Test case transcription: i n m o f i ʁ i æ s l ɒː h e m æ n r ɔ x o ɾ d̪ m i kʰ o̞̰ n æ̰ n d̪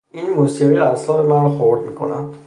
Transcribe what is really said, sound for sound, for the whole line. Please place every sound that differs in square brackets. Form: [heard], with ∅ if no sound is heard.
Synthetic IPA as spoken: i n m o [s] i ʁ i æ s l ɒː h e m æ n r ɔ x o ɾ d̪ m i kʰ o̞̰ n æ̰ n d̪